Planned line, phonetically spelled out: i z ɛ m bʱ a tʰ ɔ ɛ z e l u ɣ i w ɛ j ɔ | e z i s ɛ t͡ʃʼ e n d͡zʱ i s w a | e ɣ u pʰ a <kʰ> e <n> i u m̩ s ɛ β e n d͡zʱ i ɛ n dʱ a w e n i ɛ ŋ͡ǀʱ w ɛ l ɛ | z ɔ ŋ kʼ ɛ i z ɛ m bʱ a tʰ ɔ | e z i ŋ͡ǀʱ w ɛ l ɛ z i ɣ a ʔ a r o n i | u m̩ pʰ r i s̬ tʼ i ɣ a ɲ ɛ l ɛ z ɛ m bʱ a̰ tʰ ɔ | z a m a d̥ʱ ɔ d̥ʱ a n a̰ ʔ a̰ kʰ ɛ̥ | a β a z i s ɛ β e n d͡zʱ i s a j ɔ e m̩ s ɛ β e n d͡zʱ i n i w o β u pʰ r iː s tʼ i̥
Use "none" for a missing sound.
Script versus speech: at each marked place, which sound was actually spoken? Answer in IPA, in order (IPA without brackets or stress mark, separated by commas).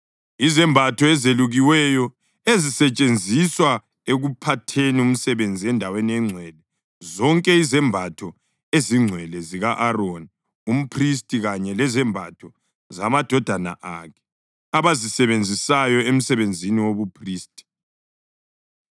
tʰ, n